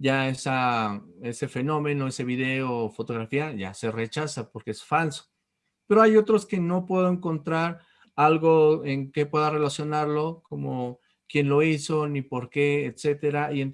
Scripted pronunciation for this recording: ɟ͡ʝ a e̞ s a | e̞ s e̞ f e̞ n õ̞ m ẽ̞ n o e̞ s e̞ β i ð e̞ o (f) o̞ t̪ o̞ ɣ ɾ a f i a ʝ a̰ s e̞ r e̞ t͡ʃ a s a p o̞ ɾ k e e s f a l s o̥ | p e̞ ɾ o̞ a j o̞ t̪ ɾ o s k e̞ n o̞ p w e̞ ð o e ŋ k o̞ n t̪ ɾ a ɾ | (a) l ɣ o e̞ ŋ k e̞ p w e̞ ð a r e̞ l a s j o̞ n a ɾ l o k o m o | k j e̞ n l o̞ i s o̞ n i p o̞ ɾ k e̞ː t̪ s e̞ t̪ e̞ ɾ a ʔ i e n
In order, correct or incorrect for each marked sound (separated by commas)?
correct, correct